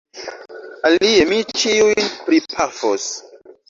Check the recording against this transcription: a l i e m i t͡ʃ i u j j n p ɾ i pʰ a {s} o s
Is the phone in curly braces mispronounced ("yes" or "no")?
yes